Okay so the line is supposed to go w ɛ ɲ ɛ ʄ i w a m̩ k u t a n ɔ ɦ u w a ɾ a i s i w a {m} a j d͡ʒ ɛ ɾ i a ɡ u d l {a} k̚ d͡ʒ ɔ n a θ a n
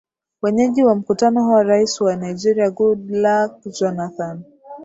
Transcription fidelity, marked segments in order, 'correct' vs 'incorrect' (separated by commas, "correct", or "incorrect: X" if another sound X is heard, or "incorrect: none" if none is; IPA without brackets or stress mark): incorrect: n, correct